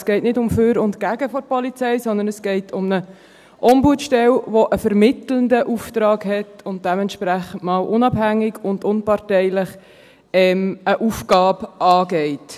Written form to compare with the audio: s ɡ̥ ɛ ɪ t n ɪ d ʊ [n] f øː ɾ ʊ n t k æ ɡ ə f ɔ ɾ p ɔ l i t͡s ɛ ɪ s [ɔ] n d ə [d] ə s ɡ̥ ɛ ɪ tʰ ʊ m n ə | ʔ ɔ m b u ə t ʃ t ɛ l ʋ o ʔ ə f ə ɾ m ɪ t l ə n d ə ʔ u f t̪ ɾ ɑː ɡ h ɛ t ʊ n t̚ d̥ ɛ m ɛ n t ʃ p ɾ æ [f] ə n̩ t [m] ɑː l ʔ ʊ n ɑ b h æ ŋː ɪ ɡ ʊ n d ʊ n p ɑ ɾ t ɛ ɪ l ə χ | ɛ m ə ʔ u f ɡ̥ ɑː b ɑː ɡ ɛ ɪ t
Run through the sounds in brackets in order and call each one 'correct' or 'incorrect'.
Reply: incorrect: m, correct, incorrect: n, incorrect: χ, correct

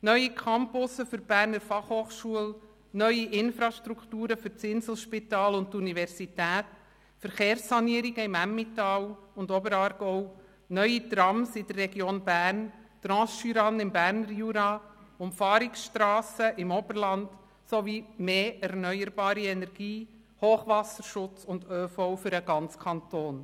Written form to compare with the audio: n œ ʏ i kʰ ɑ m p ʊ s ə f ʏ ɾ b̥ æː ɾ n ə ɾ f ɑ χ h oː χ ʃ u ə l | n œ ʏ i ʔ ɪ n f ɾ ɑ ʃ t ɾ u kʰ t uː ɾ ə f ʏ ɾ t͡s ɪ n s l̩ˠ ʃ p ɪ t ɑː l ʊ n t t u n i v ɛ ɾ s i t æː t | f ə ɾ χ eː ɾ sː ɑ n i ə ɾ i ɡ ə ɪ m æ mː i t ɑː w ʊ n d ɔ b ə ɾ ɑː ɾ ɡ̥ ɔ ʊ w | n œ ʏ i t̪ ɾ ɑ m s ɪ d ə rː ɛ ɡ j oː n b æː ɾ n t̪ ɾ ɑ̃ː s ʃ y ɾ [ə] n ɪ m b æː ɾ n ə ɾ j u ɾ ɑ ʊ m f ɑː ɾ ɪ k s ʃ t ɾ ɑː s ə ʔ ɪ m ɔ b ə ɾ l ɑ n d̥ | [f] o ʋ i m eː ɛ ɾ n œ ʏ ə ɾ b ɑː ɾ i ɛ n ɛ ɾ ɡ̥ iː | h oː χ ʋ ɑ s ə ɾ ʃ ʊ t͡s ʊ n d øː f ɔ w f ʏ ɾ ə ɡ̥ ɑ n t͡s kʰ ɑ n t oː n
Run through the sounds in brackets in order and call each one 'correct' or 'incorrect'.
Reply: incorrect: ɑ, incorrect: s

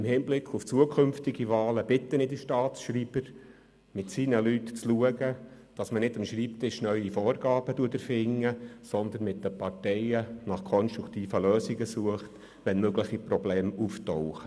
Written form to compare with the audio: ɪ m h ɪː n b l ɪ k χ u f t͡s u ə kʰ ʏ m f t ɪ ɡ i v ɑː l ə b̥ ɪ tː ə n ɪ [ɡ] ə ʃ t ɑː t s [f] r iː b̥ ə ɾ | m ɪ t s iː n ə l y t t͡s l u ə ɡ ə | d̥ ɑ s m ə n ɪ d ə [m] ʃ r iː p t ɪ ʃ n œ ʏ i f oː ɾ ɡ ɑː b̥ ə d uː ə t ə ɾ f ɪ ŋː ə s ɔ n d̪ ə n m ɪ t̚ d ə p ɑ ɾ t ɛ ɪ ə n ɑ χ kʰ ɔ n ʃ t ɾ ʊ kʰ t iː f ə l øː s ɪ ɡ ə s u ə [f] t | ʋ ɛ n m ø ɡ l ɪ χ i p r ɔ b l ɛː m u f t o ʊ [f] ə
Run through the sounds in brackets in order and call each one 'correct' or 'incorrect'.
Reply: incorrect: d, incorrect: ʃ, correct, incorrect: χ, incorrect: χ

